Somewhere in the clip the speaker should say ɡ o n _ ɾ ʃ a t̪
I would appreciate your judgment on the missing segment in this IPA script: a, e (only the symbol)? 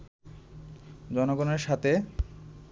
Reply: e